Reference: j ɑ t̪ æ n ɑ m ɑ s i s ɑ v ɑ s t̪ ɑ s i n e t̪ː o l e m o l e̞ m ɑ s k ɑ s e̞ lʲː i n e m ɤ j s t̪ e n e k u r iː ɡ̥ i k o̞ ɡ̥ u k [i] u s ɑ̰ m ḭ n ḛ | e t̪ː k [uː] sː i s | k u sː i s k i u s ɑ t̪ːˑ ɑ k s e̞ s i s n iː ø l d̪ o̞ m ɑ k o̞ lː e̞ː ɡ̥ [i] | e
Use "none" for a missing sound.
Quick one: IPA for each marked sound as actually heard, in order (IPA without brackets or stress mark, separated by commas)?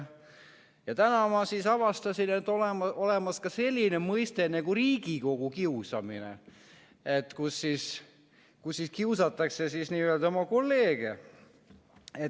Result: i, u, e